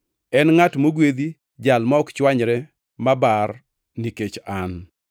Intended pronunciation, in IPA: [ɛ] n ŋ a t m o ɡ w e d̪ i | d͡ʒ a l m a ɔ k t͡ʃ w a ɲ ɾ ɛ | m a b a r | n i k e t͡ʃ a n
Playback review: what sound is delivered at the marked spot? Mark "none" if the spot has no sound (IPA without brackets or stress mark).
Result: ɛ